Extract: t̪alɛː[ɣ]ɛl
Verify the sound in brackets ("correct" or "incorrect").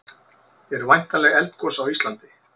correct